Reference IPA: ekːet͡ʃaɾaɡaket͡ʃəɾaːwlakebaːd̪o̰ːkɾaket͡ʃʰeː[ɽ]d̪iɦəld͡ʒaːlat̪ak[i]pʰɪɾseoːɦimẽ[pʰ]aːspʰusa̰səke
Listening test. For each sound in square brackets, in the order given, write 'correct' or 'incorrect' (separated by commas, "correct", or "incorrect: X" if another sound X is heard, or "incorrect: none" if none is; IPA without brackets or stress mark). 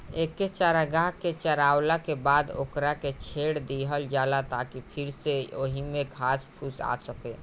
correct, correct, incorrect: kʰ